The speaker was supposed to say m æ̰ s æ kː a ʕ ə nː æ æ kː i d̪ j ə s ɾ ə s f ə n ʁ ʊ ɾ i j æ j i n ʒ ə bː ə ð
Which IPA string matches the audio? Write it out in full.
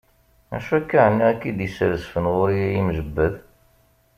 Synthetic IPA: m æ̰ ʃ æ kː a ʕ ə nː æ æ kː i d̪ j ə s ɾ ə s f ə n ʁ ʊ ɾ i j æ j i m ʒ ə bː ə ð